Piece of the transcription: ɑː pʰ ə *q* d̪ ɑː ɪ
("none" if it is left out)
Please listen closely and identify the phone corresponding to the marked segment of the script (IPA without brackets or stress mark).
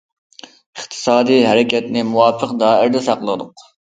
q